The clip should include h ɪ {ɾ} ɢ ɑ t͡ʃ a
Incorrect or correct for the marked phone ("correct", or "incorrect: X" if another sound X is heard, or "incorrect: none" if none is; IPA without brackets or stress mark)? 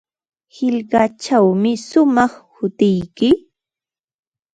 incorrect: ʎ